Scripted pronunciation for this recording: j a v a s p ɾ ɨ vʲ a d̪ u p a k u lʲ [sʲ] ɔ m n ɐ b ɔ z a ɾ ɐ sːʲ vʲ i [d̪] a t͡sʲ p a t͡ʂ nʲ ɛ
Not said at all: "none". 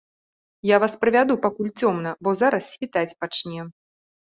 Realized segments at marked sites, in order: t͡sʲ, t̪

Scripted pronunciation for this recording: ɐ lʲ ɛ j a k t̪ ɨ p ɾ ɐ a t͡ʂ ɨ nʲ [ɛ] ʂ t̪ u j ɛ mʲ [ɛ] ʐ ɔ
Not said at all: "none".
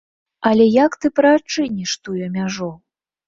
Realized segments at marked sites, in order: i, a

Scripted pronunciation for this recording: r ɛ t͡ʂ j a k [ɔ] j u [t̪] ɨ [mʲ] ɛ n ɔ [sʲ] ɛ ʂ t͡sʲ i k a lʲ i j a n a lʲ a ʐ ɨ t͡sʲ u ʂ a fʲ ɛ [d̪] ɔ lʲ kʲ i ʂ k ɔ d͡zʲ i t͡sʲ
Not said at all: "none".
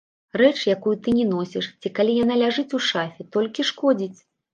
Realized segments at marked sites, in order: u, t̪, nʲ, sʲ, t̪

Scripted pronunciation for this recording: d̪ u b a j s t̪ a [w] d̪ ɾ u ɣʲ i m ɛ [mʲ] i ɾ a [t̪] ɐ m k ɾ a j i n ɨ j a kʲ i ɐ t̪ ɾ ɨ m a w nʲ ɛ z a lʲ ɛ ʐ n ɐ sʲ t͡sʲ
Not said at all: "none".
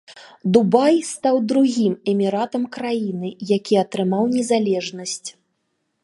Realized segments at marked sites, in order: w, mʲ, t̪

